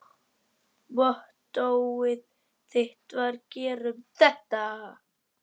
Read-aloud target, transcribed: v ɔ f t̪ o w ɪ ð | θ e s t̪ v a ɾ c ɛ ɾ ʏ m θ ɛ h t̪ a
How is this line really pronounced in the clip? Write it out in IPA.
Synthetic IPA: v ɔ h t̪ o w ɪ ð | θ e h t̪ v a ɾ c ɛː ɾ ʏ m θ ɛ h t̪ a